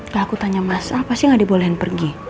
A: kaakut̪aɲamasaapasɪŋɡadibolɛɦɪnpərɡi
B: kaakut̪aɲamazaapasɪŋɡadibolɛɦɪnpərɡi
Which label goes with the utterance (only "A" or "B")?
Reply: A